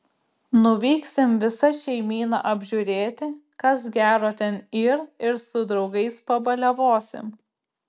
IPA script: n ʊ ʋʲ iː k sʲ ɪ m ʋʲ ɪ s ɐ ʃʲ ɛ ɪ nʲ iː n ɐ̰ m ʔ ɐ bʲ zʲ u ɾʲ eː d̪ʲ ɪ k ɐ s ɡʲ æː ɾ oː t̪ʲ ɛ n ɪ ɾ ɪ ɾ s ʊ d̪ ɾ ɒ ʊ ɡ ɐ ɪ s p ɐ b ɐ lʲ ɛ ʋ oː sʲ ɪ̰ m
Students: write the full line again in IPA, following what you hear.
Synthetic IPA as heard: n ʊ ʋʲ iː k sʲ ɪ m ʋʲ ɪ s ɐ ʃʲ ɛ ɪ mʲ iː n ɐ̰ ʔ ɐ bʲ ʒʲ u ɾʲ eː t̪ʲ ɪ k ɐ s ɡʲ æː ɾ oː t̪ʲ ɛ n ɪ ɾ ɪ ɾ s ʊ d̪ ɾ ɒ ʊ ɡ ɐ ɪ s p ɐ b ɐ lʲ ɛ ʋ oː sʲ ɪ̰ m